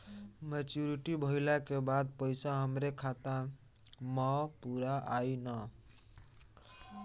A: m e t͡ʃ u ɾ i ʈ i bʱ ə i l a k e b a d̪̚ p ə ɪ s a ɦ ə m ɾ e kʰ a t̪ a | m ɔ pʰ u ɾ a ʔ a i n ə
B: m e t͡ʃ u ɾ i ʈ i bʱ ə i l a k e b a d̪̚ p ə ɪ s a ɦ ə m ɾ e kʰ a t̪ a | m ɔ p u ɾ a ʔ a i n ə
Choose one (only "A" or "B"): B